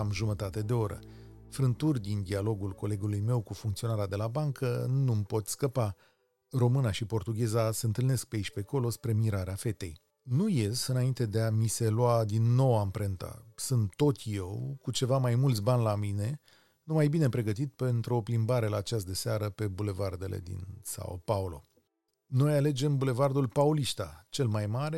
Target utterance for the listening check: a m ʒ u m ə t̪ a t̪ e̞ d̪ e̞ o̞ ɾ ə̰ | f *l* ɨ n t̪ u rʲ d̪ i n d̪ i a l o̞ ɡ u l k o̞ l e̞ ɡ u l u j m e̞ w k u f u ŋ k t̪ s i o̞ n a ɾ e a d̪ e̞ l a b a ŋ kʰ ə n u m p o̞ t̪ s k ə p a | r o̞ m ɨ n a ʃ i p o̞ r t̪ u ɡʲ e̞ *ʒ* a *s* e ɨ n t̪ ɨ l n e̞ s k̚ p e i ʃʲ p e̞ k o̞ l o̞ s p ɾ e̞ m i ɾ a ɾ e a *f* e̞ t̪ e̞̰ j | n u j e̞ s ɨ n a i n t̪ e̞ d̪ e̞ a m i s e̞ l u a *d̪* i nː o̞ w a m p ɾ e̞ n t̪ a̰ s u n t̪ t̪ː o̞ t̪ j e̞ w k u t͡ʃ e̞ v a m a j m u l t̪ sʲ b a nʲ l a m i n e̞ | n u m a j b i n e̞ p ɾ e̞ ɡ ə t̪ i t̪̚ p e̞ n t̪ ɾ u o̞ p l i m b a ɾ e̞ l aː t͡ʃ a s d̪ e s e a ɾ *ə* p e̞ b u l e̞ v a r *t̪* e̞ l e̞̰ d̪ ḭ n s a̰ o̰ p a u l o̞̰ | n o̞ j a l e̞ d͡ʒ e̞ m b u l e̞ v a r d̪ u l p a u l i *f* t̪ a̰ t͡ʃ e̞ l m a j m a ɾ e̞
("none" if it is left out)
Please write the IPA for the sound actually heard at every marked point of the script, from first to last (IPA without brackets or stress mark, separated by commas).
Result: ɾ, z, s, f, d̪, ə, d̪, ʃ